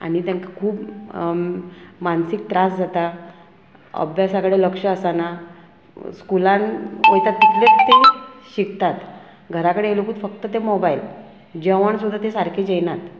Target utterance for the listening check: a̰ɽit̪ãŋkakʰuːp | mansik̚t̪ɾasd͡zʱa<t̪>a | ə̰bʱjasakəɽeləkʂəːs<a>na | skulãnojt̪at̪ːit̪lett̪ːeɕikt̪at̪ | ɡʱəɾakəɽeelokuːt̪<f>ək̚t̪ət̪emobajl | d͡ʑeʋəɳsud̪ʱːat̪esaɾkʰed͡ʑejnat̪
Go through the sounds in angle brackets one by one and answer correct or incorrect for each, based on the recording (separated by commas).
correct, correct, correct